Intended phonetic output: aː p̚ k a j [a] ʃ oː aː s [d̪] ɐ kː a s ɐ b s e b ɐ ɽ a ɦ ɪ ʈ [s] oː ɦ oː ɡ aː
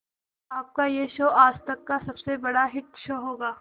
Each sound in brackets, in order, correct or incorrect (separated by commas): incorrect, incorrect, incorrect